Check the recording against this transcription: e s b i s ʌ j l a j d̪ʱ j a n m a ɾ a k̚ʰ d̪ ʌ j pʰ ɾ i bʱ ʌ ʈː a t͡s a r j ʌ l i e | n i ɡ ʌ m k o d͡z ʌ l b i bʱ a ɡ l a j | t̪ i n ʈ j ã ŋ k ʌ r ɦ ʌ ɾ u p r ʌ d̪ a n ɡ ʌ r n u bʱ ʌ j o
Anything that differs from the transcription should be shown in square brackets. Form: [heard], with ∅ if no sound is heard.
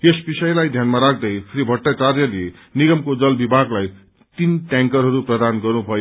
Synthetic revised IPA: e s b i s ʌ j l a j d̪ʱ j a n m a ɾ a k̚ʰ d̪ ʌ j pʰ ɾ i bʱ ʌ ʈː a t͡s a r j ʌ l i e | n i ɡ ʌ m k o d͡z ʌ l b i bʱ a ɡ l a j | t̪ i n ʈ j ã ŋ k ʌ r ɦ ʌ ɾ u p r ʌ d̪ a n ɡ ʌ r n u bʱ ʌ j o